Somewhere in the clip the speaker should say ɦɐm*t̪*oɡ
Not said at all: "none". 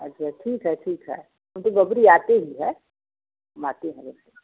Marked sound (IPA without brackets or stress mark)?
t̪